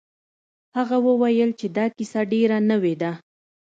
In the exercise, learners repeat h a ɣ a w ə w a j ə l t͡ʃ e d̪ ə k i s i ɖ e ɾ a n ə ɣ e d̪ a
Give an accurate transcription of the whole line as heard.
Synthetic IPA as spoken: h a ɣ a w ə w a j ə l t͡ʃ e d̪ ɑ k i s a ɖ e ɾ a n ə w e d̪ a